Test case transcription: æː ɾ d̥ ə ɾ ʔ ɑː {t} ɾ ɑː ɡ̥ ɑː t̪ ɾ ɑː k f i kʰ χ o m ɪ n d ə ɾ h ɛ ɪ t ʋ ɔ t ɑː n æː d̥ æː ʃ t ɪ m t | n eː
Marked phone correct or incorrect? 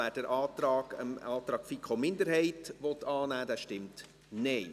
correct